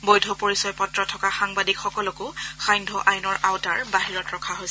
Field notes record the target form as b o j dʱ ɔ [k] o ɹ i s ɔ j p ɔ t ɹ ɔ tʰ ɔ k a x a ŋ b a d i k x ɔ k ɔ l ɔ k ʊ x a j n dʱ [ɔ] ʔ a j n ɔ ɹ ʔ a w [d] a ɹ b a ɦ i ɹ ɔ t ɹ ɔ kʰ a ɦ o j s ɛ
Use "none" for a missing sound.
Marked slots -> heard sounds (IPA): p, ɔ, t

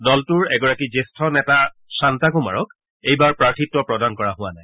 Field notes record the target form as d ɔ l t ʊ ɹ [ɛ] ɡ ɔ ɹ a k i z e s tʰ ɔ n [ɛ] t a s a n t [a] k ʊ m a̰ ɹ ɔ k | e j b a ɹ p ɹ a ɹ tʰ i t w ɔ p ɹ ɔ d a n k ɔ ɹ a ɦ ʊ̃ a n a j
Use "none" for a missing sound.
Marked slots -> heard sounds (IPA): ɛ, ɛ, a

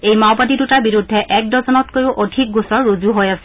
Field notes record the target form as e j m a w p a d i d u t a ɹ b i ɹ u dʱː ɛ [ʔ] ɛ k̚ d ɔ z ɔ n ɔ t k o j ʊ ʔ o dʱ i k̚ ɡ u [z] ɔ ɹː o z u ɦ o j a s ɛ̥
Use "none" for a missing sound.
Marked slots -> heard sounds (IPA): ʔ, s

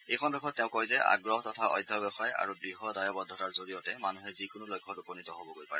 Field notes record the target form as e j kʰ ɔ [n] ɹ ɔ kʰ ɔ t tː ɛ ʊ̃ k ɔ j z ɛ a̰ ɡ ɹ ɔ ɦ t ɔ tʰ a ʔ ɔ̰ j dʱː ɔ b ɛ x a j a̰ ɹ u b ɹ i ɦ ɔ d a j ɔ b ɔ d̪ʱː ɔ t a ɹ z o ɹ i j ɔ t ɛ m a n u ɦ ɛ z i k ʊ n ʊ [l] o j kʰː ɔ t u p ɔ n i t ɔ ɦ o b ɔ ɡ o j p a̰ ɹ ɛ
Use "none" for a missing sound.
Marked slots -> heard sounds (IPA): n, l

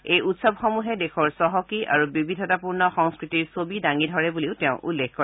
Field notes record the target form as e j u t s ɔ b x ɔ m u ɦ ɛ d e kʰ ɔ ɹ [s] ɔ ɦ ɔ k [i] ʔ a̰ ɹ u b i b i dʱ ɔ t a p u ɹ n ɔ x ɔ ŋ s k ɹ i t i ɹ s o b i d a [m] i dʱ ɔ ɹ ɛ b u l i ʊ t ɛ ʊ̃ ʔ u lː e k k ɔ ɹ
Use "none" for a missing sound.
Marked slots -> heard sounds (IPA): s, i, ŋ

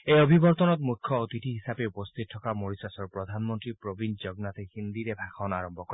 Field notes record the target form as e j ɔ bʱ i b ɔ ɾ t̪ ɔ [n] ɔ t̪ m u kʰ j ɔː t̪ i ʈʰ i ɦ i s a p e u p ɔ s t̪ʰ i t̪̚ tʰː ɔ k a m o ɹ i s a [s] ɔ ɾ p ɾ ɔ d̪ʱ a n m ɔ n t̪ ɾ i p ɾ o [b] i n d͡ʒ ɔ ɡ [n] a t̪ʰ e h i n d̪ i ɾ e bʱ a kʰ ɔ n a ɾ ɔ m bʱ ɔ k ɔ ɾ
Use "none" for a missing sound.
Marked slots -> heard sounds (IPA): n, s, b, n

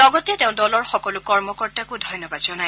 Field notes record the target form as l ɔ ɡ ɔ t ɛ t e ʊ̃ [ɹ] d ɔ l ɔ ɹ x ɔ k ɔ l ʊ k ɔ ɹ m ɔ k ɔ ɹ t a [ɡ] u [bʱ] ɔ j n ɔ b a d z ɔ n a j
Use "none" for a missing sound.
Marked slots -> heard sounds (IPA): none, k, dʱ

